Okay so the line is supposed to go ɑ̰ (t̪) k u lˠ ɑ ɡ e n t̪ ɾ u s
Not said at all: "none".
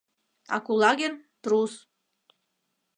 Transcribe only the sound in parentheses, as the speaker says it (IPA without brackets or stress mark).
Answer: none